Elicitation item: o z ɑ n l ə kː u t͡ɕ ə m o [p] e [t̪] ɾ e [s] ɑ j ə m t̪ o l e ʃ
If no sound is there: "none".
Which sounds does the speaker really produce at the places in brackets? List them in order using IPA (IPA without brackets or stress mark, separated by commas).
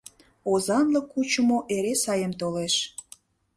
ʔ, none, s